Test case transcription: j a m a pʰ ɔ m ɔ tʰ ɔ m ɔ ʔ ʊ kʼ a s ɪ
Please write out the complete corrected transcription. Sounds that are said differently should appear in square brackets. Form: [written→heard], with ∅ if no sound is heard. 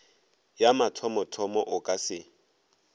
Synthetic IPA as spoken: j a m a [pʰ→tʰ] ɔ m ɔ tʰ ɔ m ɔ ʔ ʊ kʼ a s ɪ